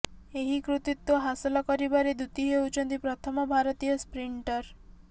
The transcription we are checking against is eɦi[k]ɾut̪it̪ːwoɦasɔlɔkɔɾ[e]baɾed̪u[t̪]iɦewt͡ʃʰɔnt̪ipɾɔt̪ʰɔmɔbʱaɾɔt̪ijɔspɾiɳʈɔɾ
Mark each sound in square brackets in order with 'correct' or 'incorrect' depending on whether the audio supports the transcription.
correct, incorrect: i, correct

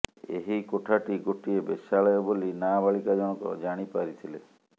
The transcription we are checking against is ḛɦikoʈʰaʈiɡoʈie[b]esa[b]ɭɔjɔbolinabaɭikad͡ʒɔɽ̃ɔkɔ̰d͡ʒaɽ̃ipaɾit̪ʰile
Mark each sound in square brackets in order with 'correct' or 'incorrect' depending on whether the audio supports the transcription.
correct, incorrect: none

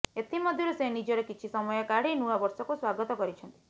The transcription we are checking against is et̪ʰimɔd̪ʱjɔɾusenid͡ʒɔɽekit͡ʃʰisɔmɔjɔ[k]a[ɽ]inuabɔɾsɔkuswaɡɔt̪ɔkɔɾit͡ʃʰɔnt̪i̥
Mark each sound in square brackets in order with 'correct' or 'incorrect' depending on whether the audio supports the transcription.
correct, correct

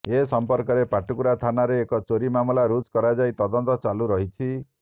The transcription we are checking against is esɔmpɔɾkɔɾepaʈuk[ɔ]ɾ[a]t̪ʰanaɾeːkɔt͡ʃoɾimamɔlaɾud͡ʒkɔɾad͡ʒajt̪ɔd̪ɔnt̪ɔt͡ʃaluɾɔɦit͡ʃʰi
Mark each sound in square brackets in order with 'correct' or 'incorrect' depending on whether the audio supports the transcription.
incorrect: u, correct

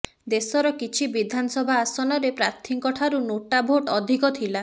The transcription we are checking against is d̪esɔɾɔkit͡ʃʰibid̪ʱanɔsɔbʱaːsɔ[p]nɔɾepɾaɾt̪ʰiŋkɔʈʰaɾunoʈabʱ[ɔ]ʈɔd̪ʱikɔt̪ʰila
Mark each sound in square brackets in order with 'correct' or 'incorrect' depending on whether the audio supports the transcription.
incorrect: none, incorrect: o

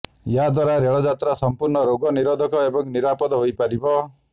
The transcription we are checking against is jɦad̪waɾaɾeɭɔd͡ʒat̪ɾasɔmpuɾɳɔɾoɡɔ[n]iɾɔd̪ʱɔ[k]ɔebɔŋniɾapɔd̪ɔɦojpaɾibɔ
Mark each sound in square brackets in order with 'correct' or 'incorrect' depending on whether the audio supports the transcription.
correct, correct

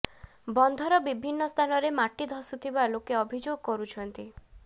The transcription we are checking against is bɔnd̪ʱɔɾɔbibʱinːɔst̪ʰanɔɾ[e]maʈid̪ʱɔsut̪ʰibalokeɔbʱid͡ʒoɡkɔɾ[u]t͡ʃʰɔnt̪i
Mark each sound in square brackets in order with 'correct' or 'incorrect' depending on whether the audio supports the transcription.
correct, correct

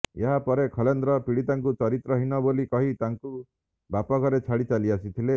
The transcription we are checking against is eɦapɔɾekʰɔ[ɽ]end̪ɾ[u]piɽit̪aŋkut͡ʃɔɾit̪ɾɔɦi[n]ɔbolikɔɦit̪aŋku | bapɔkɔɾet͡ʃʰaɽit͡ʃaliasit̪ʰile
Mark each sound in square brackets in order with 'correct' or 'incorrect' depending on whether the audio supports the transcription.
incorrect: l, incorrect: ɔ, correct

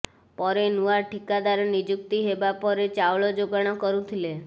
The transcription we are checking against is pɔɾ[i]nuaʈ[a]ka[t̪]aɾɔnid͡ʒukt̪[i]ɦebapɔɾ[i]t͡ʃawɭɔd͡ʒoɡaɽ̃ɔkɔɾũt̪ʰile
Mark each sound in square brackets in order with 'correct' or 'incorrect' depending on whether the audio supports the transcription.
incorrect: e, incorrect: i, incorrect: d̪, correct, incorrect: e

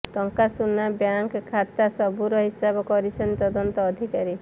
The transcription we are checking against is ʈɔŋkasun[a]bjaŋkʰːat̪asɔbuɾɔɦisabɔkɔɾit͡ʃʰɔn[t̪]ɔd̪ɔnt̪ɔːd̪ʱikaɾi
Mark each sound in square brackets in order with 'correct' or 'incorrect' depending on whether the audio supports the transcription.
correct, correct

